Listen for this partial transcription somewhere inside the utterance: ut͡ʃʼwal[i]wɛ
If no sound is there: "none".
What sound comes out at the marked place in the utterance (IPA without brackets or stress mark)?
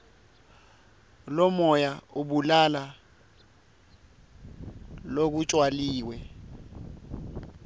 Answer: iː